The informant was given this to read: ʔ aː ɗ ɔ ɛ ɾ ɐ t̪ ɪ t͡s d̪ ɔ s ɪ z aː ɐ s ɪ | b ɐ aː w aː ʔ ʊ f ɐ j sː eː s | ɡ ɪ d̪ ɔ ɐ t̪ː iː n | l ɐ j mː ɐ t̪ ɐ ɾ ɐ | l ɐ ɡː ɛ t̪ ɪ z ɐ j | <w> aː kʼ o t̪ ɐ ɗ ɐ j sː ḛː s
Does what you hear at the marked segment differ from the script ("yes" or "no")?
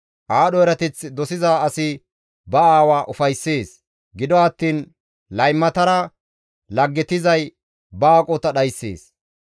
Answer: yes